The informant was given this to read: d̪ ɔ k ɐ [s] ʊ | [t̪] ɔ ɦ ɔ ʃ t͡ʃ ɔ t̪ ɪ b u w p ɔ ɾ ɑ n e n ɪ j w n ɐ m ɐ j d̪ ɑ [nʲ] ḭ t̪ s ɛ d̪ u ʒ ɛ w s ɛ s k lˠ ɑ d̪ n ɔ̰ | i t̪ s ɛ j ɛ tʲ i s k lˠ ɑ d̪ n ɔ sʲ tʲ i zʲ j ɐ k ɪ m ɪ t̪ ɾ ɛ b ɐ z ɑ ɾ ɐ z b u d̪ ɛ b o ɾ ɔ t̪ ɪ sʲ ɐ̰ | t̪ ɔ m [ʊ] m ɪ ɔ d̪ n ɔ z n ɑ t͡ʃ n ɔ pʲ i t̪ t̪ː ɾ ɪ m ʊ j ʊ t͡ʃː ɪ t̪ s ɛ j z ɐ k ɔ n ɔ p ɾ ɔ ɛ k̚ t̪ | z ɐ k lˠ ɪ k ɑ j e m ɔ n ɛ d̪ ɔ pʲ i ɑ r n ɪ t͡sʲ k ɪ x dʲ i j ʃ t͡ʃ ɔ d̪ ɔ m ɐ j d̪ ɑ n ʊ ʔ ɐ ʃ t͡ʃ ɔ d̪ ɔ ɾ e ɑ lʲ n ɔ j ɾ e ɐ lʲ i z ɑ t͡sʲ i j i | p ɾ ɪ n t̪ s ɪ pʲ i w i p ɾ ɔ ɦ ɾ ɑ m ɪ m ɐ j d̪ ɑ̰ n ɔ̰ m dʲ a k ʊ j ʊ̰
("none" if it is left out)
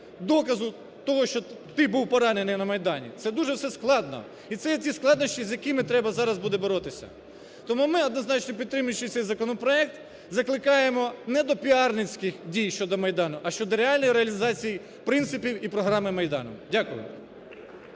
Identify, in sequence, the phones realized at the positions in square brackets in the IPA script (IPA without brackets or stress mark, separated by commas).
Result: z, t̪, nʲ, u